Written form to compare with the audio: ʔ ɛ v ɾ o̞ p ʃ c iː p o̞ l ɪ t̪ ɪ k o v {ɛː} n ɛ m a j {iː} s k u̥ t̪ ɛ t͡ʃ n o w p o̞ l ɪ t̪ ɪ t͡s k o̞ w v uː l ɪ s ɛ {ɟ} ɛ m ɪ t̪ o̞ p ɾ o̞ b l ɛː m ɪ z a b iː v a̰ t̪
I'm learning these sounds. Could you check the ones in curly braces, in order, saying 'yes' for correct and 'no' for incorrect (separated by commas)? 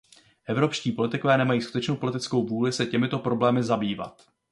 yes, yes, no